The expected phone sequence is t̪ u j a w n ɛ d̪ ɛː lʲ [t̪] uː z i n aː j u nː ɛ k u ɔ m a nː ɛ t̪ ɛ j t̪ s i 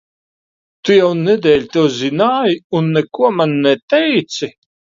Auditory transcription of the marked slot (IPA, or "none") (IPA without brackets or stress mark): t̪